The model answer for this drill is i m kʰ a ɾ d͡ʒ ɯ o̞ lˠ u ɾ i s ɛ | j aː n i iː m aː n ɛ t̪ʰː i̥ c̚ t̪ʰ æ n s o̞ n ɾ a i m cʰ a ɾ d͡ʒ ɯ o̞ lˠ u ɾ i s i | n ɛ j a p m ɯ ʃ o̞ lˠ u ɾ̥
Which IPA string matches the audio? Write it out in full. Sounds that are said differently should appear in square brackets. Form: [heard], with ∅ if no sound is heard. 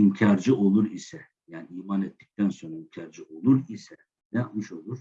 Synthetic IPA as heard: i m [cʰ] a ɾ d͡ʒ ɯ o̞ lˠ u ɾ i s ɛ | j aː n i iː m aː n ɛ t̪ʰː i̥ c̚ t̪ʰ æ n s o̞ n ɾ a i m cʰ a ɾ d͡ʒ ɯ o̞ lˠ u ɾ i s [ɛ] | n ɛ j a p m ɯ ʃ o̞ lˠ u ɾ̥